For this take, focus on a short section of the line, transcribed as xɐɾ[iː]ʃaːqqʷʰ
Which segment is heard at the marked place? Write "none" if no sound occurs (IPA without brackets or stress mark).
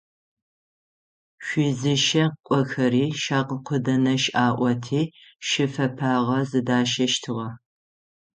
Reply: iː